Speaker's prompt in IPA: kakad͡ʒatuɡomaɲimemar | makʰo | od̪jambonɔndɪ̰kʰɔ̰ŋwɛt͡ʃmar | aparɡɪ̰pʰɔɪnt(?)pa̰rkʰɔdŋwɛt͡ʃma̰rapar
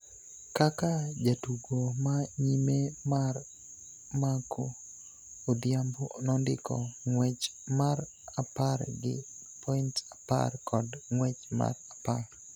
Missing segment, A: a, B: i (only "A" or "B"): A